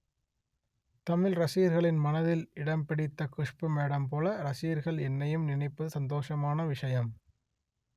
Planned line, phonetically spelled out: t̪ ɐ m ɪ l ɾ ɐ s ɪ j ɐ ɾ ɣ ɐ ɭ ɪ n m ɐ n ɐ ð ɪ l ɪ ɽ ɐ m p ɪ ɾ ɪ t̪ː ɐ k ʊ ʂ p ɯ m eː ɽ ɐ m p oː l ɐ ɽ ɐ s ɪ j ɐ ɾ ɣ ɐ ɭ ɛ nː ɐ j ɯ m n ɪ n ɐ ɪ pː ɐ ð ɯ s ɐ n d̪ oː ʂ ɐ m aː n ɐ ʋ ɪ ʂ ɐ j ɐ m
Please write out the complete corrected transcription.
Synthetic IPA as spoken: t̪ ɐ m ɪ l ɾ ɐ s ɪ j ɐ ɾ ɣ ɐ ɭ ɪ n m ɐ n ɐ ð ɪ l ɪ ɽ ɐ m p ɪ ɽ ɪ t̪ː ɐ k ʊ ʂ p ɯ m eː ɽ ɐ m p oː l ɐ ɾ ɐ s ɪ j ɐ ɾ ɣ ɐ ɭ ɛ nː ɐ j ɯ m n ɪ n ɐ ɪ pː ɐ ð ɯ s ɐ n d̪ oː ʂ ɐ m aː n ɐ ʋ ɪ ʂ ɐ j ɐ m